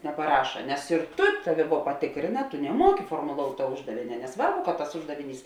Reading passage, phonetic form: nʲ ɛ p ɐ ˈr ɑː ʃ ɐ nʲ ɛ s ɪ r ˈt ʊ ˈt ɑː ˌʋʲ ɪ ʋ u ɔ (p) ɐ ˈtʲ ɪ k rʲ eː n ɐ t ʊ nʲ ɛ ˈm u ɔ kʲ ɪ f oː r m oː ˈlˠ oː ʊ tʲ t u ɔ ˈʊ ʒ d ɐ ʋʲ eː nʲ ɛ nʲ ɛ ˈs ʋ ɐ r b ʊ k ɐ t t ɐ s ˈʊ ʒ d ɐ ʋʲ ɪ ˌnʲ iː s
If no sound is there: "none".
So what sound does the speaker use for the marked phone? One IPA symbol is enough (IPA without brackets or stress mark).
p